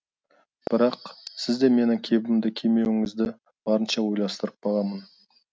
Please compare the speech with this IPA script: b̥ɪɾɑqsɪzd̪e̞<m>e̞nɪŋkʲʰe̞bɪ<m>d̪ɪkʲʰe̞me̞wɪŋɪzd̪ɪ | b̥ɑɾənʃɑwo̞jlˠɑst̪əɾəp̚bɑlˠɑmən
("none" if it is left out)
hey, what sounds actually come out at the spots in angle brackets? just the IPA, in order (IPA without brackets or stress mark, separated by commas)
m, m